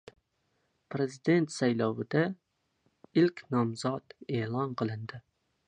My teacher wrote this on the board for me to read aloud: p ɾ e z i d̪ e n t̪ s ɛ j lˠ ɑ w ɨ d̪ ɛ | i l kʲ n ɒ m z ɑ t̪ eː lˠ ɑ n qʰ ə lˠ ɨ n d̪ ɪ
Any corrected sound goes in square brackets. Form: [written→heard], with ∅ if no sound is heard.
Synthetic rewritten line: p ɾ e z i d̪ e n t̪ s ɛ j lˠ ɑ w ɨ d̪ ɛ | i l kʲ n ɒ m z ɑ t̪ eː lˠ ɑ n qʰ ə lˠ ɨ n d̪ ɪ